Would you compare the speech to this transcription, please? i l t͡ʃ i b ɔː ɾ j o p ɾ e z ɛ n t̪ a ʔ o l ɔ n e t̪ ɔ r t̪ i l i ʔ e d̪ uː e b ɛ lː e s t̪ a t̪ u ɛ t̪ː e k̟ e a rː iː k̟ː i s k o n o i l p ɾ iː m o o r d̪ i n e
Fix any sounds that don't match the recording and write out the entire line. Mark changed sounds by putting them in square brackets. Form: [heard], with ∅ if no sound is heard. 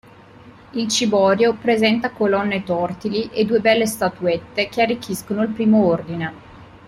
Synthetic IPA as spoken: i l t͡ʃ i b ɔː ɾ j o p ɾ e z ɛ n t̪ a [k] o l ɔ [nː] e t̪ ɔ r t̪ i l i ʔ e d̪ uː e b ɛ lː e s t̪ a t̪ u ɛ t̪ː e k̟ e a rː [i] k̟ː i s k o n o i l p ɾ iː m o o r d̪ i n e